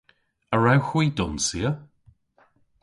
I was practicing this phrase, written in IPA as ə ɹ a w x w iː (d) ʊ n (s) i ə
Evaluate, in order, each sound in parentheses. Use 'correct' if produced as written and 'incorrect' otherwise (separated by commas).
correct, correct